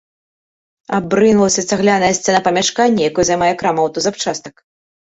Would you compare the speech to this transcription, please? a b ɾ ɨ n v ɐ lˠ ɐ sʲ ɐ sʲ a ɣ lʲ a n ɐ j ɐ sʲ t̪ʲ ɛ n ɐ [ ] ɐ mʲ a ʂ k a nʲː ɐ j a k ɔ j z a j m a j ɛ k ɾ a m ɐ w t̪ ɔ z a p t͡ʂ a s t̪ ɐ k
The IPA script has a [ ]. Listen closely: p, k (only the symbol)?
p